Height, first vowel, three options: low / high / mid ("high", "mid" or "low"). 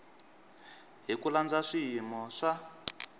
high